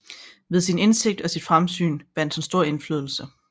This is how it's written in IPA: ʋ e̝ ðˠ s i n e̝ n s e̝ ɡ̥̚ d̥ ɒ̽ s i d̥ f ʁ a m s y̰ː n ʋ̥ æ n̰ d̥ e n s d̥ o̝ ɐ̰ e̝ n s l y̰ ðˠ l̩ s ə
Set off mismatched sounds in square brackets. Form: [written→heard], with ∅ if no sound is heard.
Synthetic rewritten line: ʋ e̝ ðˠ s i n e̝ n s e̝ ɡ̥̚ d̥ ɒ̽ s i d̥ f ʁ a m s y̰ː n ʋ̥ æ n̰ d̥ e n s d̥ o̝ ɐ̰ e̝ n [s→f] l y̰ ðˠ l̩ s ə